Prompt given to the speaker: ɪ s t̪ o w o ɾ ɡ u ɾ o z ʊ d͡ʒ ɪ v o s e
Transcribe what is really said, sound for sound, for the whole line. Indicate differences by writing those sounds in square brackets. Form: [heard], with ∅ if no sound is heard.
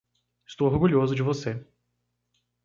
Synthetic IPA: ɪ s t̪ o w o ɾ ɡ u [ʎ] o z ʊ d͡ʒ ɪ v o s e